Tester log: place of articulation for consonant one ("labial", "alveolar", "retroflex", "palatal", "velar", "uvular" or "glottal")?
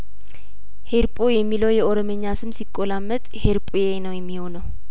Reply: glottal